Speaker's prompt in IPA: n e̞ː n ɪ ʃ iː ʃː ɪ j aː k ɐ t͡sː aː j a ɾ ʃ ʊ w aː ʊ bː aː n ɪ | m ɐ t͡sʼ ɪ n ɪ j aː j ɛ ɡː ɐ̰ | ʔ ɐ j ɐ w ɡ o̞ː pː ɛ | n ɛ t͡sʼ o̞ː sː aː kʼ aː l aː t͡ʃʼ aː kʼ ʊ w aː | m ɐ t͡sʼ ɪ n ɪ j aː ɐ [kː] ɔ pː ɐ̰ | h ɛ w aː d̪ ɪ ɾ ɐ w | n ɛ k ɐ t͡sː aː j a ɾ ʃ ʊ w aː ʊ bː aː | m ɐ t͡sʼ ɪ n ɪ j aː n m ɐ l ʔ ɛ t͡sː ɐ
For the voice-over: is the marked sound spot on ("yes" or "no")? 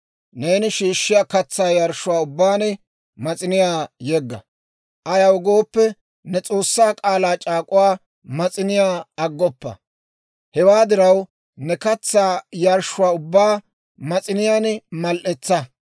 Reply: no